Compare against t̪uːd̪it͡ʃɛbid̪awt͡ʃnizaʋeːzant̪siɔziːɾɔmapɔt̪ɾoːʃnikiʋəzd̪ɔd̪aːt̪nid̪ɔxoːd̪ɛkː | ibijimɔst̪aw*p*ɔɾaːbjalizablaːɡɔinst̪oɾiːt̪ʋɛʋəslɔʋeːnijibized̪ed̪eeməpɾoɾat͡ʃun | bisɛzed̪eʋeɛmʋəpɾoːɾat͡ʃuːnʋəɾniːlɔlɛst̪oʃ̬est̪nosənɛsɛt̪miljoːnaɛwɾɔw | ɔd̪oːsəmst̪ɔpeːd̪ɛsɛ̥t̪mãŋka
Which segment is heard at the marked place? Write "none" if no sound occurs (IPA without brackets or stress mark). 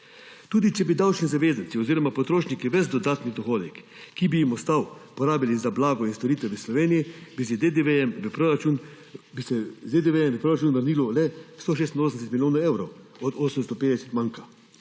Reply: p